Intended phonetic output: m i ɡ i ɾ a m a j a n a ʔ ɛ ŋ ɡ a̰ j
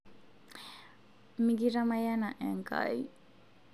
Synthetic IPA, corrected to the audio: m i ɡ i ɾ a m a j a n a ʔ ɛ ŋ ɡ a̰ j